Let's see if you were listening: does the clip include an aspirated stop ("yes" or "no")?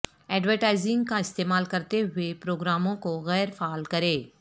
no